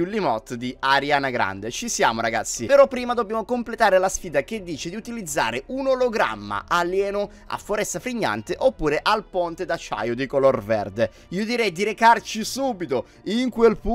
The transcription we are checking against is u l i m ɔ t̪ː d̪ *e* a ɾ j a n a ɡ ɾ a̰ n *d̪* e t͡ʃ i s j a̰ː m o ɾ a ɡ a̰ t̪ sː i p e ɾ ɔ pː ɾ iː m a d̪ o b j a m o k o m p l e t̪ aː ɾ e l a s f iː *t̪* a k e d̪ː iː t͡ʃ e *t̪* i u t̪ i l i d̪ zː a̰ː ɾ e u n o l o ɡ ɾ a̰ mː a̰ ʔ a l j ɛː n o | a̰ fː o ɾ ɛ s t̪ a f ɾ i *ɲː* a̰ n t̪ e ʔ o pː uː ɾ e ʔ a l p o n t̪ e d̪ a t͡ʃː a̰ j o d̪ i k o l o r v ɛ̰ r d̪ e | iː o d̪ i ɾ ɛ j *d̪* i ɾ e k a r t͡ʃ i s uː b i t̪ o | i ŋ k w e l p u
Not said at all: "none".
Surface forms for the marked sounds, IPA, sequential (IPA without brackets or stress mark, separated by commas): i, d̪, d̪, d̪, ɲː, d̪